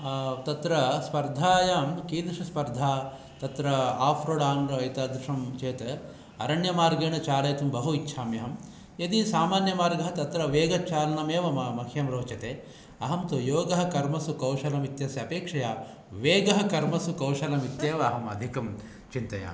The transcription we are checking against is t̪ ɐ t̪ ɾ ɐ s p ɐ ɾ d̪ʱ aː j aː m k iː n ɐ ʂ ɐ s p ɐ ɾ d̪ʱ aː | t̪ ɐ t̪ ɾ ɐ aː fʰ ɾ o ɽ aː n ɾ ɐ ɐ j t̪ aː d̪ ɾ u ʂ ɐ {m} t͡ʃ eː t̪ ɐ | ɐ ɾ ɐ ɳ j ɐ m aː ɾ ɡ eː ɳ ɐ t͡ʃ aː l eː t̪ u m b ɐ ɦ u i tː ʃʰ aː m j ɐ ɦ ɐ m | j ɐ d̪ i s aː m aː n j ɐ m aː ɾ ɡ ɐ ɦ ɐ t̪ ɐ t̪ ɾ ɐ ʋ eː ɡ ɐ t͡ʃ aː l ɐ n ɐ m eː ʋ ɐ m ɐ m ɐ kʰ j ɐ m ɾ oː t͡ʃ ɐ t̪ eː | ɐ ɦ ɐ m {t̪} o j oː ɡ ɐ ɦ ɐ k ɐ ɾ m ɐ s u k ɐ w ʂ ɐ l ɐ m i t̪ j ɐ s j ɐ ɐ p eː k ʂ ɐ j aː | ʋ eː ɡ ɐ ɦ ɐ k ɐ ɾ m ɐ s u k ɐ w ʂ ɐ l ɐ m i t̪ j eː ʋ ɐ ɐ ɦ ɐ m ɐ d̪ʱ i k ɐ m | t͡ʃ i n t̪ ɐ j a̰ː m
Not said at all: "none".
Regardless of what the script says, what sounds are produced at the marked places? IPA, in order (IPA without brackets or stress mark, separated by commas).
m, t̪